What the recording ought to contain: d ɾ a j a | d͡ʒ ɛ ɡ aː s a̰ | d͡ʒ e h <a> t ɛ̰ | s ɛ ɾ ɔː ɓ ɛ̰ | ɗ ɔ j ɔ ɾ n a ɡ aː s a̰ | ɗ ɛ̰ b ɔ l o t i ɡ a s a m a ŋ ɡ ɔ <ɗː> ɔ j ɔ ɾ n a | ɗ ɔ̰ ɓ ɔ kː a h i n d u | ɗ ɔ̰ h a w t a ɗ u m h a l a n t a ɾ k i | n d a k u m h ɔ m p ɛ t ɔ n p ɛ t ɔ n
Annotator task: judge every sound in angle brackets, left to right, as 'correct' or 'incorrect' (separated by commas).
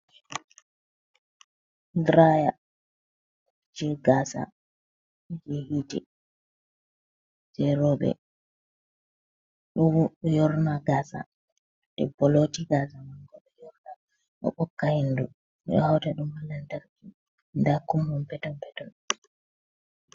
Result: incorrect, incorrect